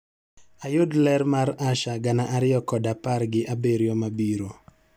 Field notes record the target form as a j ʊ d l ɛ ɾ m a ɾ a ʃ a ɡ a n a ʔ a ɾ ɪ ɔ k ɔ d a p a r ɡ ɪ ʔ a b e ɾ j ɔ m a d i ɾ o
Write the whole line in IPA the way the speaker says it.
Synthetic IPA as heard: a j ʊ d l ɛ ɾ m a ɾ a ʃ a ɡ a n a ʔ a ɾ ɪ ɔ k ɔ d a p a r ɡ ɪ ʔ a b e ɾ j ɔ m a b i ɾ o